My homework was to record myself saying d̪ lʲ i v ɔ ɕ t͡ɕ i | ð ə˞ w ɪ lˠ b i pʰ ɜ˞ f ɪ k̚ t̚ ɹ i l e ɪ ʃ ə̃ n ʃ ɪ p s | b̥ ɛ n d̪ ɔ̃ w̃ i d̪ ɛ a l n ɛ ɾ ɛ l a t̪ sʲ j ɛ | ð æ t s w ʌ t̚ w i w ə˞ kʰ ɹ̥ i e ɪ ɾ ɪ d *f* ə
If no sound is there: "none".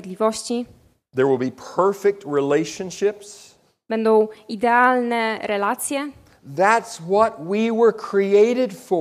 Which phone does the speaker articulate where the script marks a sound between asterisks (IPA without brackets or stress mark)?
f